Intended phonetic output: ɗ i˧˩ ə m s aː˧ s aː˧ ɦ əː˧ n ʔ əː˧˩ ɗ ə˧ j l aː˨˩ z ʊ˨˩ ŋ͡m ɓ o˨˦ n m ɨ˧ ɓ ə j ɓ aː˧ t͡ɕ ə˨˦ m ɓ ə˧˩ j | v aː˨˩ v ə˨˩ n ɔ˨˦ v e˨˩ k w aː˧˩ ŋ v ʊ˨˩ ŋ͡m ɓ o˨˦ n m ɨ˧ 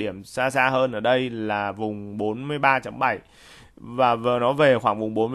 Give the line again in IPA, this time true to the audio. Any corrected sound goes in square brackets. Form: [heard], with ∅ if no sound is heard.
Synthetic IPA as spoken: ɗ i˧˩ ə m s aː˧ s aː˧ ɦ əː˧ n ʔ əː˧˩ ɗ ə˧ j l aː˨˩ [v] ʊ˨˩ ŋ͡m ɓ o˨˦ n m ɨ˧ [∅] ə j ɓ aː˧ t͡ɕ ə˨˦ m ɓ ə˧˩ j | v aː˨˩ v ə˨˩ n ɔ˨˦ v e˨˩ [x] w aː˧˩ ŋ v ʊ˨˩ ŋ͡m ɓ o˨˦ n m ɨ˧